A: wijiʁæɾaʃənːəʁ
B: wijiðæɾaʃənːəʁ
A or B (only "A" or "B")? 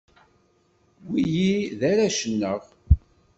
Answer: B